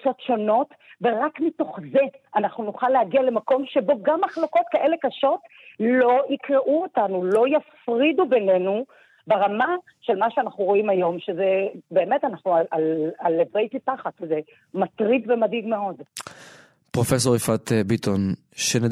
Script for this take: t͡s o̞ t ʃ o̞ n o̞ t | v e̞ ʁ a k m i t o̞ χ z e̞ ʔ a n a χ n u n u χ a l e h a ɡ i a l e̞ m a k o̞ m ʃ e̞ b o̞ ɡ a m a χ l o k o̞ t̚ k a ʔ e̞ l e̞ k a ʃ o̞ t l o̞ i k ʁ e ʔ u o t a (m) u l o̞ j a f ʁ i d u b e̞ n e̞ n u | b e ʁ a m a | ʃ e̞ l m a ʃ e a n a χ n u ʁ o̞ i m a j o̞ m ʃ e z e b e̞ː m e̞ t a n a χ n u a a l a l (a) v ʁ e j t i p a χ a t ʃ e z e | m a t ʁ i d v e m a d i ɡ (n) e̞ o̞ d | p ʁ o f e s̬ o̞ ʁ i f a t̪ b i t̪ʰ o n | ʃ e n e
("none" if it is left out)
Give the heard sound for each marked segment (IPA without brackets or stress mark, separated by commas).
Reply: n, e, m